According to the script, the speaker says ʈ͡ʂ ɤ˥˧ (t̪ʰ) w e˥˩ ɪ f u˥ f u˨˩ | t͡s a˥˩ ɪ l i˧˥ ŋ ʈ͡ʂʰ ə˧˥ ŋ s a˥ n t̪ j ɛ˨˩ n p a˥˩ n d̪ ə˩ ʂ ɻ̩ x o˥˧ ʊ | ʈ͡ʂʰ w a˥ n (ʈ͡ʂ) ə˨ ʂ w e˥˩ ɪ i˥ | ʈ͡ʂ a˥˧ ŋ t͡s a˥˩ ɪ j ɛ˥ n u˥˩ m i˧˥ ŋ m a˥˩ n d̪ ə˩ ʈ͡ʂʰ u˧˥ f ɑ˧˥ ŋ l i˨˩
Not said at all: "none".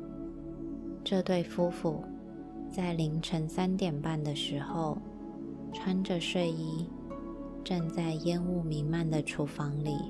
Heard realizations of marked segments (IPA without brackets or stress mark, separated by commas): t̪, ʈ͡ʂ